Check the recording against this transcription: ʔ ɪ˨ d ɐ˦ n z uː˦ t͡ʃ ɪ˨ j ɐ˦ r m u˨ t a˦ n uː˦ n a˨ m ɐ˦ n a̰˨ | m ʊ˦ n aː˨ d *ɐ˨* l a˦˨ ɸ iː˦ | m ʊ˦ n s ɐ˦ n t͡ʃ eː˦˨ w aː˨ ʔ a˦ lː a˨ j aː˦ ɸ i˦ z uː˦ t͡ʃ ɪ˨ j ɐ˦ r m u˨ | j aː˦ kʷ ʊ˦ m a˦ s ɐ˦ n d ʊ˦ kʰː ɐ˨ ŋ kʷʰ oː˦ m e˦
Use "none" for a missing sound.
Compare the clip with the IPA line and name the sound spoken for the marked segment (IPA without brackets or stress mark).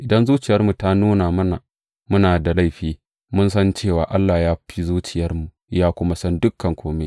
a˨